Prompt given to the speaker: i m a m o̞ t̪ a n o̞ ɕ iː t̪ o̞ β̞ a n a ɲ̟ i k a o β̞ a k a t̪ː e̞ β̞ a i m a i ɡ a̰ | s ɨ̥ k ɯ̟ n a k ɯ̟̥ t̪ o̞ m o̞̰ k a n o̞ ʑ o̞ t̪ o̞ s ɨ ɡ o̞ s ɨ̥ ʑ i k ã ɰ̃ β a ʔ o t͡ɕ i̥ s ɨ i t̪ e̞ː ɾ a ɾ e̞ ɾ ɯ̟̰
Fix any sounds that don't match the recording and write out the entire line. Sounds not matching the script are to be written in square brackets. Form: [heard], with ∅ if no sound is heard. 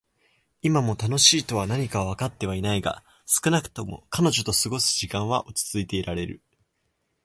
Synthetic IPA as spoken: i m a m o̞ t̪ a n o̞ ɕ iː t̪ o̞ β̞ a n a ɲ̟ i k a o β̞ a k a t̪ː e̞ β̞ a i [n] a i ɡ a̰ | s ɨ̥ k ɯ̟ n a k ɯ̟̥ t̪ o̞ m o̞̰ k a n o̞ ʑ o̞ t̪ o̞ s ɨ ɡ o̞ s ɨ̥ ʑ i k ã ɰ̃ β a ʔ o t͡ɕ i̥ [t͡s] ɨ i t̪ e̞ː ɾ a ɾ e̞ ɾ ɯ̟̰

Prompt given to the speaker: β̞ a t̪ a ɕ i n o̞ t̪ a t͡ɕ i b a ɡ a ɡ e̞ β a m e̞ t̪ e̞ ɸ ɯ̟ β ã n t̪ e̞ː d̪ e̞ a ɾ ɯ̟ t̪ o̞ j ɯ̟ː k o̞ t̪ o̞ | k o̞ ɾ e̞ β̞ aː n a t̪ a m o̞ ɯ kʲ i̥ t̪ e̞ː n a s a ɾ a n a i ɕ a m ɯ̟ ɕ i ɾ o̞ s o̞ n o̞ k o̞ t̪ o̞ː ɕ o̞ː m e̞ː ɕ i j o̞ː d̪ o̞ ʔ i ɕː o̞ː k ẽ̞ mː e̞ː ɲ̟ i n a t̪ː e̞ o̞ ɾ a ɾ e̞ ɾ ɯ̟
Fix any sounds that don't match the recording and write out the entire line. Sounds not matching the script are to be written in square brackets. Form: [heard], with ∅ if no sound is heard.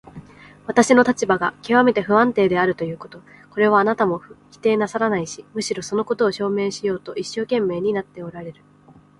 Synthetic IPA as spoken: β̞ a t̪ a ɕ i n o̞ t̪ a t͡ɕ i b a ɡ a [k] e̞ β a m e̞ t̪ e̞ ɸ ɯ̟ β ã n t̪ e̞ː d̪ e̞ a ɾ ɯ̟ t̪ o̞ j ɯ̟ː k o̞ t̪ o̞ | k o̞ ɾ e̞ β̞ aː n a t̪ a m o̞ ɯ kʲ i̥ t̪ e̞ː n a s a ɾ a n a i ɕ [i] m ɯ̟ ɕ i ɾ o̞ s o̞ n o̞ k o̞ t̪ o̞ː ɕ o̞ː m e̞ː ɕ i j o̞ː [t̪] o̞ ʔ i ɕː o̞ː k ẽ̞ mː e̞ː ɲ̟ i n a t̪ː e̞ o̞ ɾ a ɾ e̞ ɾ ɯ̟

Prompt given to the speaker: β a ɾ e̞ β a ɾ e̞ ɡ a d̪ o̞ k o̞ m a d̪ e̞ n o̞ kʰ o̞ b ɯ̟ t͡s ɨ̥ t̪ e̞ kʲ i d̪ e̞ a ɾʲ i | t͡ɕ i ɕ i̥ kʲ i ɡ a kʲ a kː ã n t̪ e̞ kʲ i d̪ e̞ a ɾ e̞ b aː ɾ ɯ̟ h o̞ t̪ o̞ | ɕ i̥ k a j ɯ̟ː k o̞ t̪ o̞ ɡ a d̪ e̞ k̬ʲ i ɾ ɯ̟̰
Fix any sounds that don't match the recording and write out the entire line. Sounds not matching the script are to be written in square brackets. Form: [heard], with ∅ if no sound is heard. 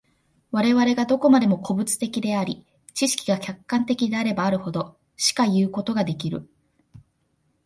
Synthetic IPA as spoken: β a ɾ e̞ β a ɾ e̞ ɡ a d̪ o̞ k o̞ m a d̪ e̞ [m] o̞ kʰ o̞ b ɯ̟ t͡s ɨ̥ t̪ e̞ kʲ i d̪ e̞ a ɾʲ i | t͡ɕ i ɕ i̥ kʲ i ɡ a kʲ a kː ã n t̪ e̞ kʲ i d̪ e̞ a ɾ e̞ b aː ɾ ɯ̟ h o̞ [d̪] o̞ | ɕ i̥ k a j ɯ̟ː k o̞ t̪ o̞ ɡ a d̪ e̞ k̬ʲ i ɾ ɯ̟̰

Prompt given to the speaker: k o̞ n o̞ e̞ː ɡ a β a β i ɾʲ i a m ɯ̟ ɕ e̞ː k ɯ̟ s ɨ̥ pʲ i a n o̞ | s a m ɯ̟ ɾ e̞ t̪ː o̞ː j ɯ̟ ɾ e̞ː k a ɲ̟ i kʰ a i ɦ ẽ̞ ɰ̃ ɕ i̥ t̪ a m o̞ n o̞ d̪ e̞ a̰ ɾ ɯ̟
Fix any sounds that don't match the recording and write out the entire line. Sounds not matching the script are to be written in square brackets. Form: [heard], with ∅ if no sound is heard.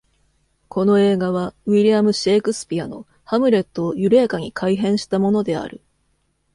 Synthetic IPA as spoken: k o̞ n o̞ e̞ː ɡ a β a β i ɾʲ i a m ɯ̟ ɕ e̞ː k ɯ̟ s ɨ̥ pʲ i a n o̞ | [h] a m ɯ̟ ɾ e̞ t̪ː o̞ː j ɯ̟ ɾ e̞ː k a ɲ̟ i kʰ a i ɦ ẽ̞ ɰ̃ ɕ i̥ t̪ a m o̞ n o̞ d̪ e̞ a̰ ɾ ɯ̟

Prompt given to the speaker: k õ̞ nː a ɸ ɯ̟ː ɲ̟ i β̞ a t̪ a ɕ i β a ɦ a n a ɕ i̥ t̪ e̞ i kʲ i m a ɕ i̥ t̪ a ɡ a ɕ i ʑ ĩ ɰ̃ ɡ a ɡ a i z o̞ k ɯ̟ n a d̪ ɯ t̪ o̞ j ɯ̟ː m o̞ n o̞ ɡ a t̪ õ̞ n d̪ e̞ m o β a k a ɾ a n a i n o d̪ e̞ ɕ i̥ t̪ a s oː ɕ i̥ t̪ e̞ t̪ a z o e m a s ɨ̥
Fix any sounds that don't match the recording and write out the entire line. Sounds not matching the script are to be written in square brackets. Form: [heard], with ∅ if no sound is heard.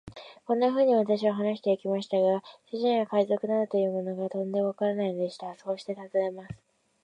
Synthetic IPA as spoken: k õ̞ nː a ɸ ɯ̟ː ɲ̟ i β̞ a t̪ a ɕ i β a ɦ a n a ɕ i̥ t̪ e̞ i kʲ i m a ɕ i̥ t̪ a ɡ a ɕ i ʑ ĩ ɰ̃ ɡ a [k] a i z o̞ k ɯ̟ n a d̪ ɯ t̪ o̞ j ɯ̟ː m o̞ n o̞ ɡ a t̪ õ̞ n d̪ e̞ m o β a k a ɾ a n a i n o d̪ e̞ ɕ i̥ t̪ a s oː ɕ i̥ t̪ e̞ t̪ a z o e m a s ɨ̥

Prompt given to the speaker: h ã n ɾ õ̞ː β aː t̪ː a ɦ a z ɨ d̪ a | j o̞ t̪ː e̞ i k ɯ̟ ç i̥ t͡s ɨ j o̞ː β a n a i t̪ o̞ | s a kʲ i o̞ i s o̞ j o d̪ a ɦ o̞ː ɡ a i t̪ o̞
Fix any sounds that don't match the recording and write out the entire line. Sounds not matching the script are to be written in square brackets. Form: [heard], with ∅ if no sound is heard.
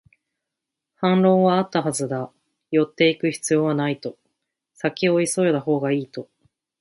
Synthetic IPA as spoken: h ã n ɾ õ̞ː β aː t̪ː a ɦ a z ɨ d̪ a | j o̞ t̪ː e̞ i k ɯ̟ ç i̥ t͡s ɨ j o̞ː β a n a i t̪ o̞ | s a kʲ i o̞ i s o̞ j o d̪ a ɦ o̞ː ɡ a [iː] t̪ o̞

